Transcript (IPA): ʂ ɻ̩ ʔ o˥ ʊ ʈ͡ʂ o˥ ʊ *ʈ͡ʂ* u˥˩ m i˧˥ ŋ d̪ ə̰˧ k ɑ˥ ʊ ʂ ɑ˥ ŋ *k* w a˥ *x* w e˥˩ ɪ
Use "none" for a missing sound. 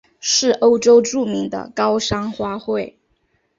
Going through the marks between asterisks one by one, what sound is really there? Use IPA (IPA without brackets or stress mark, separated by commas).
ʈ͡ʂ, x, x